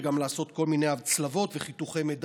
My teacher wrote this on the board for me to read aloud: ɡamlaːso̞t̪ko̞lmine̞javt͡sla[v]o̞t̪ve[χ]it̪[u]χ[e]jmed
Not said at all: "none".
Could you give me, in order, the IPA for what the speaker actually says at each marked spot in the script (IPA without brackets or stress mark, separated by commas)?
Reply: v, χ, u, e